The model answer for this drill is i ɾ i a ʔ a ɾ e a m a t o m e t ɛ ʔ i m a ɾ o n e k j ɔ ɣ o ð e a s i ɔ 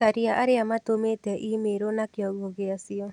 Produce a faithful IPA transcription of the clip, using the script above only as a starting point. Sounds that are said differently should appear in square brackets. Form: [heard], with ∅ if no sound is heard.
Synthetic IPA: [a] ɾ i a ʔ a ɾ e a m a t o m e t ɛ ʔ i m [e] ɾ o n [a] k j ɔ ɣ o [ɣ] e a s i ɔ